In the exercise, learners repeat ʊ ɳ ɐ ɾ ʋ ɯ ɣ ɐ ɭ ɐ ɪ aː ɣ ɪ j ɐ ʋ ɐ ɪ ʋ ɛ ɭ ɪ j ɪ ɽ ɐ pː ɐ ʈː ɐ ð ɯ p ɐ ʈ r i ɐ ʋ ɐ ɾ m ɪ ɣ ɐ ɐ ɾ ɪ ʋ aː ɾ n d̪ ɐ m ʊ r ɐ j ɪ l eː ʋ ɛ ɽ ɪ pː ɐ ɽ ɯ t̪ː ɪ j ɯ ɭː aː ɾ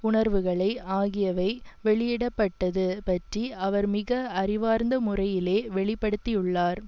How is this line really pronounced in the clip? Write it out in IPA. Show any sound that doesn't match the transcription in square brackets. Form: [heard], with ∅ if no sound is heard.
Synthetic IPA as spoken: ʊ ɳ ɐ ɾ ʋ ɯ ɣ ɐ ɭ ɐ ɪ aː ɣ ɪ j ɐ ʋ ɐ ɪ ʋ ɛ ɭ ɪ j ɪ ɽ ɐ pː ɐ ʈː ɐ ð ɯ p ɐ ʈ r i ɐ ʋ ɐ ɾ m ɪ ɣ ɐ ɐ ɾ ɪ ʋ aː ɾ n d̪ ɐ m ʊ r ɐ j ɪ l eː ʋ ɛ [ɭ] ɪ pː ɐ ɽ ɯ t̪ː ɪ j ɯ ɭː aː ɾ